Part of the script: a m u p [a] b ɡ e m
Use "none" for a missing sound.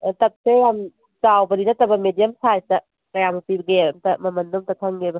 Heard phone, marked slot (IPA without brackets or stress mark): i